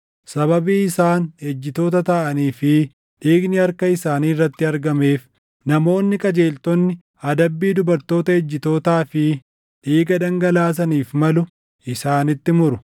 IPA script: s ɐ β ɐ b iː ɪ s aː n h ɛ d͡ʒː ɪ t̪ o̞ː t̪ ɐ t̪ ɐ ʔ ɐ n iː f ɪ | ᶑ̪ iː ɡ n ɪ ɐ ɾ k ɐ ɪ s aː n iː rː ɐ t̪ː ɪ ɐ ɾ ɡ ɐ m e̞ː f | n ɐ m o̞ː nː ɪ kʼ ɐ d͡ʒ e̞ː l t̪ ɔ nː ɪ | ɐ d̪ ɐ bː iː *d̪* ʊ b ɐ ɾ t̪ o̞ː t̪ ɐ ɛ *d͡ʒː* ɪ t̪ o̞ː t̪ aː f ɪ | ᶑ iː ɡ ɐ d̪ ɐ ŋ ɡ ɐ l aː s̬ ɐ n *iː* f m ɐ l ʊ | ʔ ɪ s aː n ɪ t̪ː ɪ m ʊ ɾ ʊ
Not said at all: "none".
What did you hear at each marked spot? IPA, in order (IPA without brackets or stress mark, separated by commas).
d̪, d͡ʒː, iː